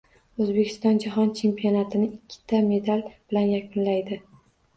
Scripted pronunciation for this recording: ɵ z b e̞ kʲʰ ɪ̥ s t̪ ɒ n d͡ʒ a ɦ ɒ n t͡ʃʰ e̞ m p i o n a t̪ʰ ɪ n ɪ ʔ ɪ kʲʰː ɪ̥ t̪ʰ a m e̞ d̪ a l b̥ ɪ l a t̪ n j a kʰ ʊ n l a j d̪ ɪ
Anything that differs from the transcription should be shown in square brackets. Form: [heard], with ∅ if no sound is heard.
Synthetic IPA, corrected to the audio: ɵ z b e̞ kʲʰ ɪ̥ s t̪ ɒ n d͡ʒ a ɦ ɒ n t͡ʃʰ e̞ m p i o n a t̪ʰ ɪ n ɪ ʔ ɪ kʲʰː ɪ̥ t̪ʰ a m e̞ d̪ a l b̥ ɪ l a [∅] n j a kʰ ʊ n l a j d̪ ɪ

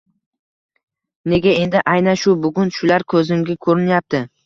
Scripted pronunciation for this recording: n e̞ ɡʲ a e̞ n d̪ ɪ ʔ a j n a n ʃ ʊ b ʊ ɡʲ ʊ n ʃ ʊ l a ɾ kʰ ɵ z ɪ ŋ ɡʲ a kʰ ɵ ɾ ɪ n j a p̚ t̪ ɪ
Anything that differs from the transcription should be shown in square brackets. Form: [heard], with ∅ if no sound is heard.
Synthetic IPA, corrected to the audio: n e̞ ɡʲ a e̞ n d̪ ɪ ʔ a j n a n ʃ ʊ b ʊ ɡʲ ʊ n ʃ ʊ l a ɾ kʰ ɵ z ɪ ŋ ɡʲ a kʰ ɵ ɾ ɪ n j a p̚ t̪ ɪ

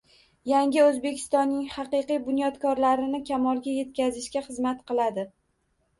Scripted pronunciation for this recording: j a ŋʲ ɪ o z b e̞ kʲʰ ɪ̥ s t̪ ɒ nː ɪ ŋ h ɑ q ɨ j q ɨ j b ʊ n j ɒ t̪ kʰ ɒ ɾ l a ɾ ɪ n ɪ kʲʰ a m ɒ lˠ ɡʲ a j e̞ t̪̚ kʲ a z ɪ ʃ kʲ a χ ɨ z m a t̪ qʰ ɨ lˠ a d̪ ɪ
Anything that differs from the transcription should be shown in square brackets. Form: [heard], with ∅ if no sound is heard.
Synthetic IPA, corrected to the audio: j a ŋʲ ɪ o z b e̞ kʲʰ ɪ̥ s t̪ ɒ nː ɪ ŋ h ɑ q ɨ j q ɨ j b ʊ n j ɒ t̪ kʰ ɒ ɾ l a ɾ ɪ n ɪ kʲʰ a m ɒ lˠ ɡʲ a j e̞ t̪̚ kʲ a z ɪ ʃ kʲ a χ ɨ z m a t̪ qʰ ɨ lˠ a d̪ ɪ

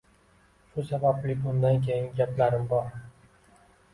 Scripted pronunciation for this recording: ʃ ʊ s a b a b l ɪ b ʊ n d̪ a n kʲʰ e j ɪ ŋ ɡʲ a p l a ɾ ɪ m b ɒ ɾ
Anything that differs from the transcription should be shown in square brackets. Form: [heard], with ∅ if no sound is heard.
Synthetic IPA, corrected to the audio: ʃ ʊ s a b a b l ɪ b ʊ n d̪ a n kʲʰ e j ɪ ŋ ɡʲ a p l a ɾ ɪ m b ɒ ɾ

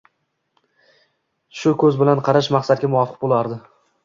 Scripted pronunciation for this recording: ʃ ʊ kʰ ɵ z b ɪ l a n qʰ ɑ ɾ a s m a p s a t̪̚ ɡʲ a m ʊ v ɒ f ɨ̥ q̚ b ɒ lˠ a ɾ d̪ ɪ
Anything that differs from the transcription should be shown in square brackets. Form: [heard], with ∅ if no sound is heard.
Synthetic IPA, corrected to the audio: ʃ ʊ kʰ ɵ z b ɪ l a n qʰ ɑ ɾ a [ʃ] m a [q] s a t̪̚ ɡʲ a m ʊ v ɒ f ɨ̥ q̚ b [o] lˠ a ɾ d̪ ɪ

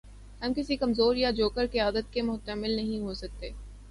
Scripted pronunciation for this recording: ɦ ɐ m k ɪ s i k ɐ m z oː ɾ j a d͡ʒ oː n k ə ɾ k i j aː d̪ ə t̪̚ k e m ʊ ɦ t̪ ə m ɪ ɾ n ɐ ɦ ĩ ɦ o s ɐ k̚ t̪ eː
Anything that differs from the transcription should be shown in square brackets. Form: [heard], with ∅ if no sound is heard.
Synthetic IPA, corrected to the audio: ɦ ɐ m k ɪ s i k ɐ m z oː ɾ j a d͡ʒ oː [∅] k ə ɾ k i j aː d̪ ə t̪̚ k e m ʊ ɦ t̪ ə m ɪ [l] n ɐ ɦ ĩ ɦ o s ɐ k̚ t̪ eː

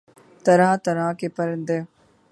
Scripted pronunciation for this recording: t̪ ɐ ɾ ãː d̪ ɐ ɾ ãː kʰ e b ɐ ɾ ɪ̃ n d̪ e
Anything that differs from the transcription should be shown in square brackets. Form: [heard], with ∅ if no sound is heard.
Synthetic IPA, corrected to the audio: t̪ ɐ ɾ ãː [t̪] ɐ ɾ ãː [k] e [p] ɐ ɾ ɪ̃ n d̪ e

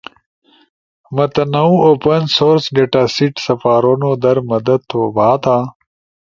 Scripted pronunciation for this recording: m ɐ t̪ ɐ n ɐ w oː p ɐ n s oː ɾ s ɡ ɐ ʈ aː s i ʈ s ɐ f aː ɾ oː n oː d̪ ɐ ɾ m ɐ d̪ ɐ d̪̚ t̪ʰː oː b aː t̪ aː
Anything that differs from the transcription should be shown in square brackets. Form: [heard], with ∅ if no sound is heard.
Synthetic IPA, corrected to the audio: m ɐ t̪ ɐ n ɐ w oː p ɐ n s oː ɾ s ɡ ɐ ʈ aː s i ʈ s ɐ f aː ɾ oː n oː d̪ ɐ ɾ m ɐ d̪ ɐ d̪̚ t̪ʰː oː b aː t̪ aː

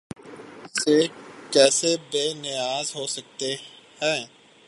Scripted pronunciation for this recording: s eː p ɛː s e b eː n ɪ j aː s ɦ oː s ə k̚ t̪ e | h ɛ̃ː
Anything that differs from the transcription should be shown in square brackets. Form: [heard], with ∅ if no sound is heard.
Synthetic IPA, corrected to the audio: s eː [k] ɛː s e b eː n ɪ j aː [z] ɦ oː s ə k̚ t̪ e | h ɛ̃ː

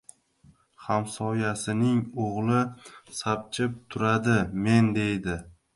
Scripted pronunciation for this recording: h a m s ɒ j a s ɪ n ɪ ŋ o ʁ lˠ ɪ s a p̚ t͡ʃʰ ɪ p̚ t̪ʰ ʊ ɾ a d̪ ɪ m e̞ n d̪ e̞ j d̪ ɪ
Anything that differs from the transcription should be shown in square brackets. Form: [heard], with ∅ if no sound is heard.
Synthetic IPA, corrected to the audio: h a m s ɒ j a s ɪ n ɪ ŋ o ʁ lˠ ɪ s a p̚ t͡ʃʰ ɪ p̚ t̪ʰ ʊ ɾ a d̪ ɪ m e̞ n d̪ e̞ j d̪ ɪ

